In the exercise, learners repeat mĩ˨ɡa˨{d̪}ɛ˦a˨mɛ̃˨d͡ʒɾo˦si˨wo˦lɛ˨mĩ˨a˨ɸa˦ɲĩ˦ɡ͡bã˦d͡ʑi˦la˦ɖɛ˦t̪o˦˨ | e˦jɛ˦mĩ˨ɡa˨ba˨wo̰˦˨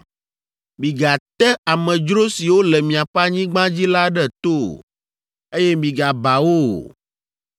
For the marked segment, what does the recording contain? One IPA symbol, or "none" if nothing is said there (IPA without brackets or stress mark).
t̪